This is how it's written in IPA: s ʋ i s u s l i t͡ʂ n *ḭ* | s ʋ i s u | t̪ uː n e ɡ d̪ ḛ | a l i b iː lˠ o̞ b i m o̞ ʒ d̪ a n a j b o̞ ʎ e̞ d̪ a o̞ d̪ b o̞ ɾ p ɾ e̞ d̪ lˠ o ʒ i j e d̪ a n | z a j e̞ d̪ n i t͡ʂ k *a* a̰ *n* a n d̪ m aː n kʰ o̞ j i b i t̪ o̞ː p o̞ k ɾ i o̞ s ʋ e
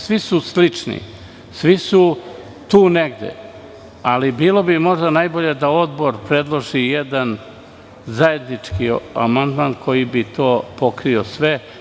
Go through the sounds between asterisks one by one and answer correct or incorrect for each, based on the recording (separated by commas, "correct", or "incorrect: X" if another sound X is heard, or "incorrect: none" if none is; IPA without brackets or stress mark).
correct, incorrect: i, incorrect: m